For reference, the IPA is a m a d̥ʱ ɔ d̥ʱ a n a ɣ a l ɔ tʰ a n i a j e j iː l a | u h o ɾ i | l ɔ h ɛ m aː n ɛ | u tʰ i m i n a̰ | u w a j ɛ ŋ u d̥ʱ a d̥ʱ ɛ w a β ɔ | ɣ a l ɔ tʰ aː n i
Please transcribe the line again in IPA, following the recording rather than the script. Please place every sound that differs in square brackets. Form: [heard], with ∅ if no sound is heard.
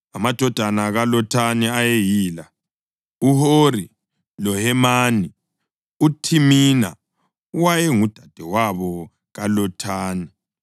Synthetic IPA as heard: a m a d̥ʱ ɔ d̥ʱ a n a ɣ a l ɔ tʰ a n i a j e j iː l a | u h o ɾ i | l ɔ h ɛ m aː n [i] | u tʰ i m i n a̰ | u w a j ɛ ŋ u d̥ʱ a d̥ʱ ɛ w a β ɔ | ɣ a l ɔ tʰ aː n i